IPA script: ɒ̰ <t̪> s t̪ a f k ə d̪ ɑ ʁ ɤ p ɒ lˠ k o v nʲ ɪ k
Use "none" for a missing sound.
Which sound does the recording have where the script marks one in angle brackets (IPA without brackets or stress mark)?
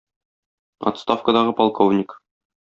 t̪